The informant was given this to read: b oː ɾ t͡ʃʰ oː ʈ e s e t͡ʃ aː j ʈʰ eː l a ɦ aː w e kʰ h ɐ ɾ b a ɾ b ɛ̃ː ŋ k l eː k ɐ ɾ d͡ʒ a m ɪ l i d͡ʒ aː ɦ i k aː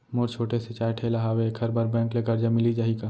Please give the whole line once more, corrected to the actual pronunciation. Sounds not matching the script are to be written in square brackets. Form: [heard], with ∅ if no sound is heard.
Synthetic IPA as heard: [m] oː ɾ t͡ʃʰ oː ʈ e s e t͡ʃ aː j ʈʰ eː l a ɦ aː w e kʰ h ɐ ɾ b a ɾ b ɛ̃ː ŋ k l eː k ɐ ɾ d͡ʒ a m ɪ l i d͡ʒ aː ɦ i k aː